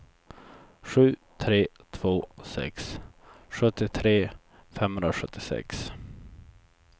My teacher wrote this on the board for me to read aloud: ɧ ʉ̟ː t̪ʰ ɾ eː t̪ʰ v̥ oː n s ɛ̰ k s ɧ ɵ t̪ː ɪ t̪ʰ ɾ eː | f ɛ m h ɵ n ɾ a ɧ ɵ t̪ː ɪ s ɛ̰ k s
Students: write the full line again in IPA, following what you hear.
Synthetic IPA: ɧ ʉ̟ː t̪ʰ ɾ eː t̪ʰ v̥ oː s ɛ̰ k s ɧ ɵ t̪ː ɪ t̪ʰ ɾ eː | f ɛ m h ɵ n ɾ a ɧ ɵ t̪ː ɪ s ɛ̰ k s